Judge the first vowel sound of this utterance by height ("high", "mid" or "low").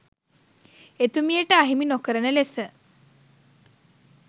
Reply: mid